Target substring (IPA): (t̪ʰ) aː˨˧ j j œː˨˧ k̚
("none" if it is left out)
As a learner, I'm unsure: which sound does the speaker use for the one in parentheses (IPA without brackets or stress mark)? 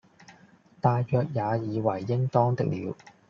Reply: t̪